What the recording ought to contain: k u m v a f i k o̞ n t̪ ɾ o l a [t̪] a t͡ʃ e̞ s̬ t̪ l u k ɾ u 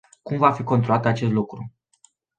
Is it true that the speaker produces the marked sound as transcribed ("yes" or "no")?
yes